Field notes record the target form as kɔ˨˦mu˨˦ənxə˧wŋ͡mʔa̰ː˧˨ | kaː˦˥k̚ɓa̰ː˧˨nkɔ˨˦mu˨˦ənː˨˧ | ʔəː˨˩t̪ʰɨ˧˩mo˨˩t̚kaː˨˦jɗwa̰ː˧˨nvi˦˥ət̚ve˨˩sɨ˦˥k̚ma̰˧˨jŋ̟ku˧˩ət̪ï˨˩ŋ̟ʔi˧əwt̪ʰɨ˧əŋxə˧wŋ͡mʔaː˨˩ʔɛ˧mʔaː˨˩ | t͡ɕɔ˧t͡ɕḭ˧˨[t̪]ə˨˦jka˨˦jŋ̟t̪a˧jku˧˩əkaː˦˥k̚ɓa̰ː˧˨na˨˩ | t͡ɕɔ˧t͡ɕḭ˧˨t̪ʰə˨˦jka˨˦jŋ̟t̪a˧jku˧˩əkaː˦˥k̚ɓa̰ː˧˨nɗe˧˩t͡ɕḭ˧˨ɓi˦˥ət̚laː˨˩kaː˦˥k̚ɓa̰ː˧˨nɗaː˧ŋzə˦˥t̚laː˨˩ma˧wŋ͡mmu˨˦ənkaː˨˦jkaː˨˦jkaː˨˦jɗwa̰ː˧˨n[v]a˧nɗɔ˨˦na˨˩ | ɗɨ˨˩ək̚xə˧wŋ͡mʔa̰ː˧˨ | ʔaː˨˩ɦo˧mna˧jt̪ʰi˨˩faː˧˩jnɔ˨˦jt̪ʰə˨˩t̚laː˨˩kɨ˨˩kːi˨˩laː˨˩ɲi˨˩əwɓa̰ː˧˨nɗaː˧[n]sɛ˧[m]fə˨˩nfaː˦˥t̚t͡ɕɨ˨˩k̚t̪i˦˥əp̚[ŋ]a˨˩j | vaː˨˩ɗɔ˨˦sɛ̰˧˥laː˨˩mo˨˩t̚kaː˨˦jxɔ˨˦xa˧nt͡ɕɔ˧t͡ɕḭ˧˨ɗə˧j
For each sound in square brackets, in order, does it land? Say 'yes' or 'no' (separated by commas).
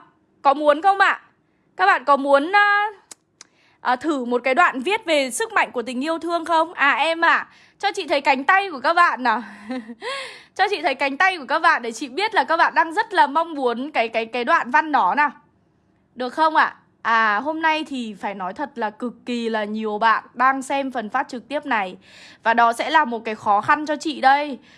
no, yes, no, yes, no